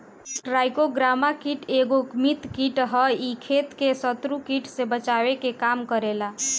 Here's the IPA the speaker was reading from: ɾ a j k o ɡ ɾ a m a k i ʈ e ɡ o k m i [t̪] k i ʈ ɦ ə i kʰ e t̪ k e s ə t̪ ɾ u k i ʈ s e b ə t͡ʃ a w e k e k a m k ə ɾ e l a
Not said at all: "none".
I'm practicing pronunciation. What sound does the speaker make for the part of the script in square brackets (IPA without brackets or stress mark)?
t̪